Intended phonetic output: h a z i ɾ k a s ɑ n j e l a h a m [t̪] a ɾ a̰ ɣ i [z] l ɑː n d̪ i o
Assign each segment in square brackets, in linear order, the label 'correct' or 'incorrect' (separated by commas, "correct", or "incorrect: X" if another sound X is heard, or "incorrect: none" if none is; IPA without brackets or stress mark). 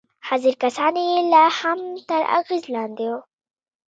correct, correct